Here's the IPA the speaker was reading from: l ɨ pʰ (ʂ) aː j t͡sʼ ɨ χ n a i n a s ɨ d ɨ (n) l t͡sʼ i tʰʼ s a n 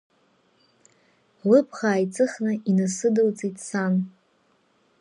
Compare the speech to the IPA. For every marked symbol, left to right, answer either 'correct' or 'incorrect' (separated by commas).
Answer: incorrect, incorrect